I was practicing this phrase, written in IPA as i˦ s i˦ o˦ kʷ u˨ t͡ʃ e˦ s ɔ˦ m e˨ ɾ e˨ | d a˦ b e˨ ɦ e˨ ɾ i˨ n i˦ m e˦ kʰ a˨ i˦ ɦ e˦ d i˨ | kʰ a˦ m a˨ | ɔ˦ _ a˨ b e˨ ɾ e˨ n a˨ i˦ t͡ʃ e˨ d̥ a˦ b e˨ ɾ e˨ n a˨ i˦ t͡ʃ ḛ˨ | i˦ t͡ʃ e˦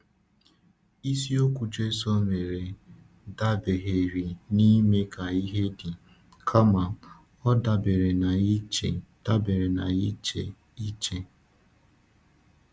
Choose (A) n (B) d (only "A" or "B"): B